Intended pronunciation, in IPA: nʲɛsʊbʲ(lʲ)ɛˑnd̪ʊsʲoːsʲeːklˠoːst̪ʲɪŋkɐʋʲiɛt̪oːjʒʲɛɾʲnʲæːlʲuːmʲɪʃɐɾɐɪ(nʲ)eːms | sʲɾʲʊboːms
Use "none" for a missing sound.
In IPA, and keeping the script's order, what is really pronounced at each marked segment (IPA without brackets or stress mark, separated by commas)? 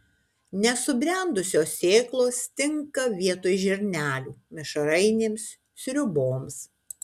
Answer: ɾʲ, nʲ